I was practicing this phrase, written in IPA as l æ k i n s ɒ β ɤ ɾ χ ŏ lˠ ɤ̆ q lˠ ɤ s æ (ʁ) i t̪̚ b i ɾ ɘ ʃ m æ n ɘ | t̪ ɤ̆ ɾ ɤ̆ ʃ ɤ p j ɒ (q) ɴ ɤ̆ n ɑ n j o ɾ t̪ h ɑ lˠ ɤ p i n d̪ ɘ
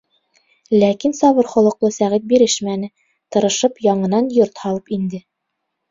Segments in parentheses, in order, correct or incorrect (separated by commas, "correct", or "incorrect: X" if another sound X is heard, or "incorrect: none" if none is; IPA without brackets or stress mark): correct, incorrect: none